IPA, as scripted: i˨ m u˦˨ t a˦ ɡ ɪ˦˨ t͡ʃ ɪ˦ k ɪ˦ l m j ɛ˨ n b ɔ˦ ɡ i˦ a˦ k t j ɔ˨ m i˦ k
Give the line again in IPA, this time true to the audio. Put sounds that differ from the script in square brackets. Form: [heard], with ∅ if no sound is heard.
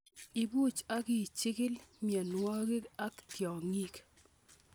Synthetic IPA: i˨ [b] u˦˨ [t͡ʃ] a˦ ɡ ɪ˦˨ t͡ʃ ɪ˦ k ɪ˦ l m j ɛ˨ n [w] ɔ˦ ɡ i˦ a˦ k t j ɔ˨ [ŋ] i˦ k